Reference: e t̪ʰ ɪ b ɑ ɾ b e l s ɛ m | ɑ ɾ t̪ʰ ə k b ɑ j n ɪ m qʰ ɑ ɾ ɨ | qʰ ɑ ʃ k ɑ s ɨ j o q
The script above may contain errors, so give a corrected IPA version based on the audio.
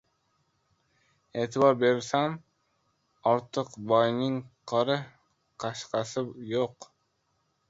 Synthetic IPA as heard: e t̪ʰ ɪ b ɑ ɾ b e ɾ s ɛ m | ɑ ɾ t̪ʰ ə q b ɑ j n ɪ ŋ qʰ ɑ ɾ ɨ | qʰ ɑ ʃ q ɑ s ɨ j o q